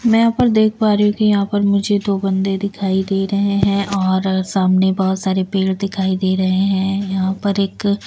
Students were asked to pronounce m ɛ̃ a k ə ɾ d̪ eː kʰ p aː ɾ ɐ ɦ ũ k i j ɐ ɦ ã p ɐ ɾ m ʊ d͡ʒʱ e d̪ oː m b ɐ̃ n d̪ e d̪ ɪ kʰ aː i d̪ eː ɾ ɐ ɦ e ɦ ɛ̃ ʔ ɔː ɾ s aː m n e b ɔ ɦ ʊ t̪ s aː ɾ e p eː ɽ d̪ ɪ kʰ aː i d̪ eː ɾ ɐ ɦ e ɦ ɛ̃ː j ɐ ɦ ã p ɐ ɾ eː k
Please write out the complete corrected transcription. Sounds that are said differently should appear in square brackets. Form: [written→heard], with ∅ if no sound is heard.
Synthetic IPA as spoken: m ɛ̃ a [k→p] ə ɾ d̪ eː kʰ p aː ɾ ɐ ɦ ũ k i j ɐ ɦ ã p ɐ ɾ m ʊ d͡ʒʱ e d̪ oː [m→∅] b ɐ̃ n d̪ e d̪ ɪ kʰ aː i d̪ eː ɾ ɐ ɦ e ɦ ɛ̃ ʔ ɔː ɾ s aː m n e b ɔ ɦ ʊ t̪ s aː ɾ e p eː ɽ d̪ ɪ kʰ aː i d̪ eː ɾ ɐ ɦ e ɦ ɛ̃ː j ɐ ɦ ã p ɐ ɾ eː k